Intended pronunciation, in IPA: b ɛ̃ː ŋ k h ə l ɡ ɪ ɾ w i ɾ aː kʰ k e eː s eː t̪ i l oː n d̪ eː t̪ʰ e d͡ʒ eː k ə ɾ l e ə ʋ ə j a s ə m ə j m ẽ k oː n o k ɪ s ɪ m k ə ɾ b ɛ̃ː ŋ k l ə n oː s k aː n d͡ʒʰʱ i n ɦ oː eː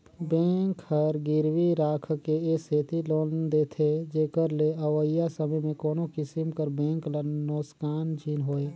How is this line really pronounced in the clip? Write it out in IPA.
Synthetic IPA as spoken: b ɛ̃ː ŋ k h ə ɾ ɡ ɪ ɾ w i ɾ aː kʰ k e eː s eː t̪ i l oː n d̪ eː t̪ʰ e d͡ʒ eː k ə ɾ l e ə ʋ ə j a s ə m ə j m ẽ k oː n o k ɪ s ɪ m k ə ɾ b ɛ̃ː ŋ k l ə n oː s k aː n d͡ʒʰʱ i n ɦ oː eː